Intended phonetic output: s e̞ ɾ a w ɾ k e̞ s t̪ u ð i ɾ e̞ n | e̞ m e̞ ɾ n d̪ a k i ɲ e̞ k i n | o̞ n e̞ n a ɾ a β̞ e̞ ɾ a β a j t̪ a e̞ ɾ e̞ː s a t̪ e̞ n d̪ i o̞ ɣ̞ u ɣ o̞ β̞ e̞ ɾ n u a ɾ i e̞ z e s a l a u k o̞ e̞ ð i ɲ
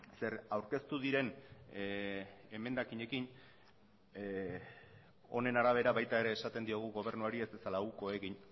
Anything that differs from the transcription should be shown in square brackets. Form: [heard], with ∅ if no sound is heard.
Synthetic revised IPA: s e̞ ɾ a w ɾ k e̞ s t̪ u ð i ɾ e̞ n | e̞ m e̞ [∅] n d̪ a k i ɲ e̞ k i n | o̞ n e̞ n a ɾ a β̞ e̞ ɾ a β a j t̪ a e̞ ɾ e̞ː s a t̪ e̞ n d̪ i o̞ ɣ̞ u ɣ o̞ β̞ e̞ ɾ n u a ɾ i e̞ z e s a l a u k o̞ e̞ [ɣ] i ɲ